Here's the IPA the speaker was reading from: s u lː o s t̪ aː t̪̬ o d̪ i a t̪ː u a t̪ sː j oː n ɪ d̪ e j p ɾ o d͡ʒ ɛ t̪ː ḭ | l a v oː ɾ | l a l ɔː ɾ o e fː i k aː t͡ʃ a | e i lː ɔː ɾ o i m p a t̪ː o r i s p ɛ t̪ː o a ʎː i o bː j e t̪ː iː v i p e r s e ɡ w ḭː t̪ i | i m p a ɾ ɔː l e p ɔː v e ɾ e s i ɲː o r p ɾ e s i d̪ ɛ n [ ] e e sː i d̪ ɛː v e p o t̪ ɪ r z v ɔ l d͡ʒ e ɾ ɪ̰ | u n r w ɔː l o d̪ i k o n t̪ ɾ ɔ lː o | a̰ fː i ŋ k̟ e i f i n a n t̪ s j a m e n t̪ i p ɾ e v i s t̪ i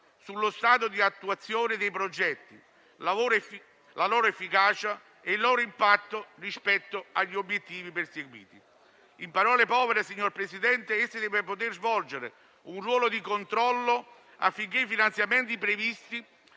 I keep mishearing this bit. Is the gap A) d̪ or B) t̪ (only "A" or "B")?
B